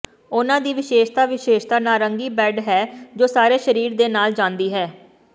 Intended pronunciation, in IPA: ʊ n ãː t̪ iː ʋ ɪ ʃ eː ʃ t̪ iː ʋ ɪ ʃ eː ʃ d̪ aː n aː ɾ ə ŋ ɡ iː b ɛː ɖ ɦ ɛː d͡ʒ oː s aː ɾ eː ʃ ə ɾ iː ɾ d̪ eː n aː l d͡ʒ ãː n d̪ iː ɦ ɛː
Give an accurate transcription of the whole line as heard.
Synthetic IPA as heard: ʊ n ãː d̪ iː ʋ ɪ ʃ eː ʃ t̪ aː ʋ ɪ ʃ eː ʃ t̪ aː n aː ɾ ə ŋ ɡ iː b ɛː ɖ ɦ ɛː d͡ʒ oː s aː ɾ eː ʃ ə ɾ iː ɾ d̪ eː n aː l d͡ʒ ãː n d̪ iː ɦ ɛː